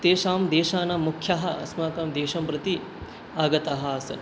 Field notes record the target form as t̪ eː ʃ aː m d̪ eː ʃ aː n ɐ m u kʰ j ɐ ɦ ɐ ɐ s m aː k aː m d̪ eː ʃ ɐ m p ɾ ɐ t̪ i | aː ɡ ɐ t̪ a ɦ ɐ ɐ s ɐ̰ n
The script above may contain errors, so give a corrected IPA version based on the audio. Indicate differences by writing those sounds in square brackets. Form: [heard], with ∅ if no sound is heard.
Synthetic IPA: t̪ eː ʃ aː m d̪ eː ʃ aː n ɐ m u kʰ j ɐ ɦ ɐ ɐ s m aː k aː m d̪ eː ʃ ɐ m p ɾ ɐ t̪ i | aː ɡ ɐ t̪ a ɦ ɐ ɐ s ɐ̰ n